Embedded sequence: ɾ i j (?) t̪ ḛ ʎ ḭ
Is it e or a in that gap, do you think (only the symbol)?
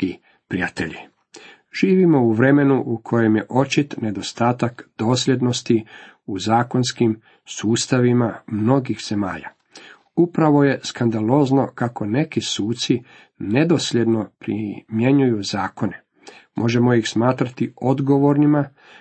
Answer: a